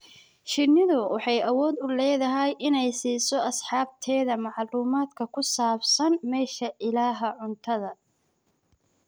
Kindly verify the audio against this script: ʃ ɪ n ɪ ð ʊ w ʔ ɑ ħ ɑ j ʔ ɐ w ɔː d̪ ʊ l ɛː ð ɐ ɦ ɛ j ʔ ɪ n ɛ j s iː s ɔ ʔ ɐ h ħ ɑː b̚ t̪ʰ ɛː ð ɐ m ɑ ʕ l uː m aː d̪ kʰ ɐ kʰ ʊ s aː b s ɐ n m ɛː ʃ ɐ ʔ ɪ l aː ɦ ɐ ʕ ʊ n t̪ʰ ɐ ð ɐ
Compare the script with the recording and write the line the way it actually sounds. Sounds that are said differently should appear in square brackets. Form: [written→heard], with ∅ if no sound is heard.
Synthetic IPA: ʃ ɪ n ɪ ð ʊ w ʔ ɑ ħ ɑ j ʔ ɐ w ɔː d̪ ʊ l ɛː ð ɐ ɦ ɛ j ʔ ɪ n ɛ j s iː s ɔ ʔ ɐ [h→s] ħ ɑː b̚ t̪ʰ ɛː ð ɐ m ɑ ʕ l uː m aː d̪ kʰ ɐ kʰ ʊ s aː b s ɐ n m ɛː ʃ ɐ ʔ ɪ l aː ɦ ɐ ʕ ʊ n t̪ʰ ɐ ð ɐ